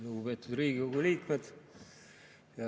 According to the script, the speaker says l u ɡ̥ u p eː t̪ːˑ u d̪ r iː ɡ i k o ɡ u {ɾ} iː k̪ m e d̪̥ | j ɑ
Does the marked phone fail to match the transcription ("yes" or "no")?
yes